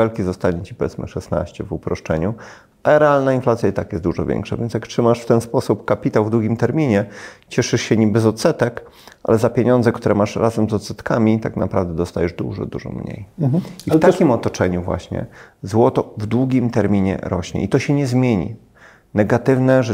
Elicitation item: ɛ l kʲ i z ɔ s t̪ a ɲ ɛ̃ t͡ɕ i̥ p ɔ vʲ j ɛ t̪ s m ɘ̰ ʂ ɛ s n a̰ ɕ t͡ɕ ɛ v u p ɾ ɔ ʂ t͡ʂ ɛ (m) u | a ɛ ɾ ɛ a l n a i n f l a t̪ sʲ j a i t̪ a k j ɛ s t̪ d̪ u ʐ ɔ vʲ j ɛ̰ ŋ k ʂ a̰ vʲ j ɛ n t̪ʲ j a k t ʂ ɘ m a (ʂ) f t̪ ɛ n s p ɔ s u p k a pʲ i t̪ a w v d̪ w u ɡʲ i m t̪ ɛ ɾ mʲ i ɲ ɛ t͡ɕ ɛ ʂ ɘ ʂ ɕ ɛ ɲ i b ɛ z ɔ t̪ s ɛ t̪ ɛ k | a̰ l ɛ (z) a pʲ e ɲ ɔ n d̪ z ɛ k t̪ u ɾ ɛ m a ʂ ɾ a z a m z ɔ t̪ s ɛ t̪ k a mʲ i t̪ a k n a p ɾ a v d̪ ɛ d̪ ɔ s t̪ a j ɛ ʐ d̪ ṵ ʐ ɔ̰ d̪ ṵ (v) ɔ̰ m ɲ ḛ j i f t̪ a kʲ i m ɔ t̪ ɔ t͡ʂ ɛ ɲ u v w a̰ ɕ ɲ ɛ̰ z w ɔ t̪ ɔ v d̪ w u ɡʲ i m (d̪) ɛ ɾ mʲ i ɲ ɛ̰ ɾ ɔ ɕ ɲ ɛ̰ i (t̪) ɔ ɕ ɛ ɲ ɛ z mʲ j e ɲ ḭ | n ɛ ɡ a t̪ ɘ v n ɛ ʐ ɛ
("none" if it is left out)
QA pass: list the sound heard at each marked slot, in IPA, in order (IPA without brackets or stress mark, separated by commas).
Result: ɲ, ʂ, z, ʐ, t̪, t̪